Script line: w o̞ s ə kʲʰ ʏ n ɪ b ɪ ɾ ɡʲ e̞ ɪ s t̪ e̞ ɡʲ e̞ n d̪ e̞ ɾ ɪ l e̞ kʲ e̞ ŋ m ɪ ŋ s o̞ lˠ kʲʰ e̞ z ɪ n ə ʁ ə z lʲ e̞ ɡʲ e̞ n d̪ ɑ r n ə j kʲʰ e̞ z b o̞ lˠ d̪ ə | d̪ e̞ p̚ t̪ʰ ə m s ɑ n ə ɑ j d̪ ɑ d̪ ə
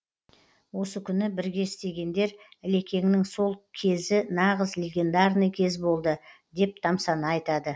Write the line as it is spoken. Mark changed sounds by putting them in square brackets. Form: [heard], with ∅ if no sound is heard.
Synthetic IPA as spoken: w o̞ s ə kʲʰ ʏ n ɪ b ɪ ɾ ɡʲ e̞ ɪ s t̪ e̞ ɡʲ e̞ n d̪ e̞ ɾ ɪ l e̞ kʲ e̞ ŋ [n] ɪ ŋ s o̞ lˠ kʲʰ e̞ z ɪ n [ɑ] ʁ ə z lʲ e̞ ɡʲ e̞ n d̪ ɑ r n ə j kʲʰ e̞ z b o̞ lˠ d̪ ə | d̪ e̞ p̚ t̪ʰ [ɑ] m s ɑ n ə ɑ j [t̪] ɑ d̪ ə